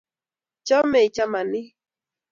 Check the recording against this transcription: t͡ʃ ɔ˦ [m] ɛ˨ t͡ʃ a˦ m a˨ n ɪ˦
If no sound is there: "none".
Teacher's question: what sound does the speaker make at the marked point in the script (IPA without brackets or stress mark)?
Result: m